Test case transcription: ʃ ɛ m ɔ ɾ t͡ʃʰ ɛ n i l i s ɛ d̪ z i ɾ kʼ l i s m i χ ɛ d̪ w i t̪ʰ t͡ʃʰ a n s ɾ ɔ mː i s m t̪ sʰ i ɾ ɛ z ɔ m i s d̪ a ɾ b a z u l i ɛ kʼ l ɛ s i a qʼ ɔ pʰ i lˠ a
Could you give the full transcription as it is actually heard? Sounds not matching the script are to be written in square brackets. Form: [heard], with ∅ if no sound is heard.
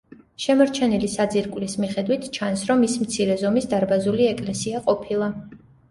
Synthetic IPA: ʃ ɛ m ɔ ɾ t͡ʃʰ ɛ n i l i s [a] d̪ z i ɾ kʼ l i s m i χ ɛ d̪ w i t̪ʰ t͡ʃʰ a n s ɾ ɔ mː i s m t̪ sʰ i ɾ ɛ z ɔ m i s d̪ a ɾ b a z u l i ɛ kʼ l ɛ s i a qʼ ɔ pʰ i lˠ a